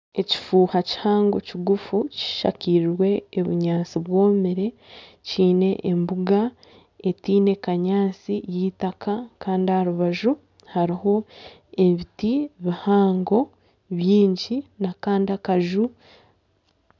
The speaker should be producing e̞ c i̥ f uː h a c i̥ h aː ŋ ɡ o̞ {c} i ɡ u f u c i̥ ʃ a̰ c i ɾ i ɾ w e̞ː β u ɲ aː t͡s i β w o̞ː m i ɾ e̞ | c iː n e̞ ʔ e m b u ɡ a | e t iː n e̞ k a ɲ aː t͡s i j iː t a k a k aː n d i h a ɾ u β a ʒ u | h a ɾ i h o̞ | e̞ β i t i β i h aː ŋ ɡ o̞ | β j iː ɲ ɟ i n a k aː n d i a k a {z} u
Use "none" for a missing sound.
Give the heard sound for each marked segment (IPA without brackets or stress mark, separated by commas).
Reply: c, ʒ